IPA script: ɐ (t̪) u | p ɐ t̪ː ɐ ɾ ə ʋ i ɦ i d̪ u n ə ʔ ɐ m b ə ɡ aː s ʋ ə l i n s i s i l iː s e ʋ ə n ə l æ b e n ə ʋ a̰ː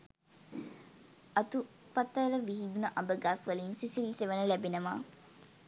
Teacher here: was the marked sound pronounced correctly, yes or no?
yes